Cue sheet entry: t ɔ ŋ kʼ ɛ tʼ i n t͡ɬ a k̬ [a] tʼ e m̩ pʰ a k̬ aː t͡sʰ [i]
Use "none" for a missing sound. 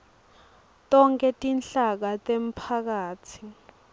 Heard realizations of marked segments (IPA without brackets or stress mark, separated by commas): a, i